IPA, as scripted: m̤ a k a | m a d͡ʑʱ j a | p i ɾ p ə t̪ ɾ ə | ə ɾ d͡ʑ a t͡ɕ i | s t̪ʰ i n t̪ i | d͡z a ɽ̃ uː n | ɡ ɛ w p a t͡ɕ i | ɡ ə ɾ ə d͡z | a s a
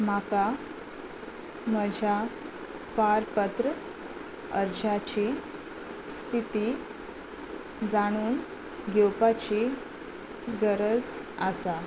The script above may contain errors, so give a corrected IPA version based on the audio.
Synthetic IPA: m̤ a k a | m ə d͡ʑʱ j a | p a ɾ p ə t̪ ɾ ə | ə ɾ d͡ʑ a t͡ɕ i | s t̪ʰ i t̪ i | d͡z a ɽ̃ uː n | ɡ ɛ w p a t͡ɕ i | ɡ ə ɾ ə d͡z | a s a